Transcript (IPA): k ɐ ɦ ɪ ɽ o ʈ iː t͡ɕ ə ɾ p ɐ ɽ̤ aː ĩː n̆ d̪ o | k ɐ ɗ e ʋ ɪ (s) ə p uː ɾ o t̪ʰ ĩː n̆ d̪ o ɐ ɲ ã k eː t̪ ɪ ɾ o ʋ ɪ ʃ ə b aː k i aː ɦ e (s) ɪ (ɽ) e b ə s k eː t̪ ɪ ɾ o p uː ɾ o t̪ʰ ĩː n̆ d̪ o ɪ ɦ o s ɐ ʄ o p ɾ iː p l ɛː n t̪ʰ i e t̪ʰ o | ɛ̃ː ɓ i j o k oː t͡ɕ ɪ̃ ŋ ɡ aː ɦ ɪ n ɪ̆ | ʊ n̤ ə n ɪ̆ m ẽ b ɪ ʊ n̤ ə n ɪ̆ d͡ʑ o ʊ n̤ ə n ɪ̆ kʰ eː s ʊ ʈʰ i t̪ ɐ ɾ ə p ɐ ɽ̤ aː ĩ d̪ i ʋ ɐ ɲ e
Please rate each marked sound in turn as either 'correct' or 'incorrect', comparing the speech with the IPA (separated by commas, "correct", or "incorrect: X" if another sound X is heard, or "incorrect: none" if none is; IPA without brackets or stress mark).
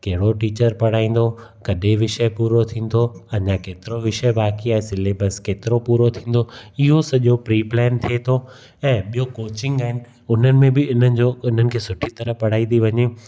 incorrect: ʃ, correct, incorrect: l